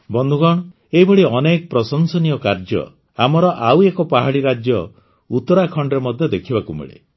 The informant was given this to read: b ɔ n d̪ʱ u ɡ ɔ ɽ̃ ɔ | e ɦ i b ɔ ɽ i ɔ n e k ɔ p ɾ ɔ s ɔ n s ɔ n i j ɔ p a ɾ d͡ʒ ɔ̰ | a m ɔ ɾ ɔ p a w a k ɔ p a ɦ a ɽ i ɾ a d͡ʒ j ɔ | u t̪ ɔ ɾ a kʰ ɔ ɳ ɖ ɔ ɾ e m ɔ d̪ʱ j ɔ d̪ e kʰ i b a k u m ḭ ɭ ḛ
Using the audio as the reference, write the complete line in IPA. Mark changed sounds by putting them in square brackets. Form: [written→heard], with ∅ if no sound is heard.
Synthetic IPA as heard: b ɔ n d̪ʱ u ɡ ɔ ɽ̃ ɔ | e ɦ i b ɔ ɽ i ɔ n e k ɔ p ɾ ɔ s ɔ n s ɔ n i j ɔ [p→k] a ɾ d͡ʒ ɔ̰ | a m ɔ ɾ ɔ [p→ʔ] a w [a→e] k ɔ p a ɦ a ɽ i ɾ a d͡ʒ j ɔ | u t̪ ɔ ɾ a kʰ ɔ ɳ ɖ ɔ ɾ e m ɔ d̪ʱ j ɔ d̪ e kʰ i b a k u m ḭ ɭ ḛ